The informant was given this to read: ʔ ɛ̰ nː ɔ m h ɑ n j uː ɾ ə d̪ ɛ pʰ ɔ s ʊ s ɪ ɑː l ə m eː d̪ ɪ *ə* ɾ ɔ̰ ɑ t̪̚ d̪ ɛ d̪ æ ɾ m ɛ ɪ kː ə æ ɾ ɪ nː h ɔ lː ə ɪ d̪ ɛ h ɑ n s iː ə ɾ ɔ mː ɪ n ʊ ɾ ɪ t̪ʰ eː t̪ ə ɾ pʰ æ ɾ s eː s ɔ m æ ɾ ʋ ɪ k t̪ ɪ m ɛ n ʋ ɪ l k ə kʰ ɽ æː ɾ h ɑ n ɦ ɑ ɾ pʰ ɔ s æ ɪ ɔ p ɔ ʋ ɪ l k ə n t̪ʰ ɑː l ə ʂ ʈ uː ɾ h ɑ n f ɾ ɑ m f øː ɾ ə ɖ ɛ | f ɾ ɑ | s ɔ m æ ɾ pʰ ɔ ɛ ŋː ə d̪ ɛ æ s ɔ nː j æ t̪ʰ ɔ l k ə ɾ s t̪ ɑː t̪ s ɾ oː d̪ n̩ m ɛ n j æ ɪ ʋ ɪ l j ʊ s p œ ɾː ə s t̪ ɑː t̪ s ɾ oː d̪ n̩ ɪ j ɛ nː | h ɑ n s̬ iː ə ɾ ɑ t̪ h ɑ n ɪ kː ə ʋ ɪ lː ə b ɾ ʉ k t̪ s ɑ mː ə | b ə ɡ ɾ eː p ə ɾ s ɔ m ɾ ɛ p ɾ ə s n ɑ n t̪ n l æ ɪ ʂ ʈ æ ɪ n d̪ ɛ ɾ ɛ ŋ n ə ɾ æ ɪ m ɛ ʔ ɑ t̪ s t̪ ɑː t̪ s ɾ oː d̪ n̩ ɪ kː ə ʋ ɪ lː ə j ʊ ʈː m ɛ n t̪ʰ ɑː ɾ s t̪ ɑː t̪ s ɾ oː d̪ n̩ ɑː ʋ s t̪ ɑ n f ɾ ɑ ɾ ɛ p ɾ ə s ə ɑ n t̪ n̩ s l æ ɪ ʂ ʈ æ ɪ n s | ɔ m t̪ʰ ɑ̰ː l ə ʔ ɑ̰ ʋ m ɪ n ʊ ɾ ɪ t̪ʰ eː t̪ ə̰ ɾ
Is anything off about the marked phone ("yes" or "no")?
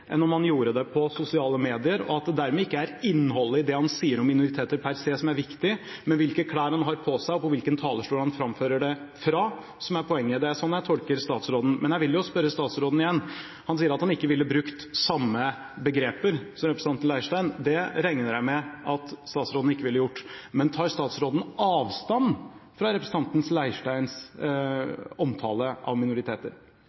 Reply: no